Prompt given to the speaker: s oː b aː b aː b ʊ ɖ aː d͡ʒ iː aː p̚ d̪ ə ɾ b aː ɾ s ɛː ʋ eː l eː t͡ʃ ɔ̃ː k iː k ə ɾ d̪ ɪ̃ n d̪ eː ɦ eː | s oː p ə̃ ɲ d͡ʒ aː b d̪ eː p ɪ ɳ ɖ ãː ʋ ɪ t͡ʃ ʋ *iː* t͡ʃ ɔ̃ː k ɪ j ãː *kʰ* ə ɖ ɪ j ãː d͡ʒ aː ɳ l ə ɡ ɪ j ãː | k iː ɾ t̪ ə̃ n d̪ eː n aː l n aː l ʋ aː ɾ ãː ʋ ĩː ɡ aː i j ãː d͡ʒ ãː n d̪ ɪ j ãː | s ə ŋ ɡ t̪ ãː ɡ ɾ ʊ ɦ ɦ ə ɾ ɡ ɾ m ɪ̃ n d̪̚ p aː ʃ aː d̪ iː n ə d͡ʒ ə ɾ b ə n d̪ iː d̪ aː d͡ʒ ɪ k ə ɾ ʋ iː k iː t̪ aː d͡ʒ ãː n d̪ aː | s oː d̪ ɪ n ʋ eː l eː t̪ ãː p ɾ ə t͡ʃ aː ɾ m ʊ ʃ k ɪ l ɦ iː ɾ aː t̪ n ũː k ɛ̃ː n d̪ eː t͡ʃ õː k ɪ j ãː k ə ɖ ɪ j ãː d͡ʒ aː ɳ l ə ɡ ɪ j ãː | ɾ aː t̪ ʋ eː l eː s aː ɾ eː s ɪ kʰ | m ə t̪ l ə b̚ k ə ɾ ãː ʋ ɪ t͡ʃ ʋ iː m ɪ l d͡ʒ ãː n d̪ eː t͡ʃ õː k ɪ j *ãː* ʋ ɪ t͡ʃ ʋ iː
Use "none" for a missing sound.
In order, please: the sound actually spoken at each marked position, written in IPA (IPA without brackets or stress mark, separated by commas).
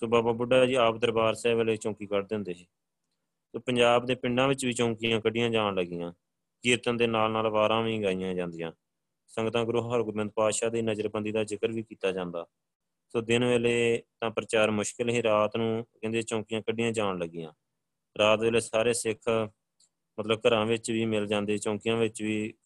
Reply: iː, k, ãː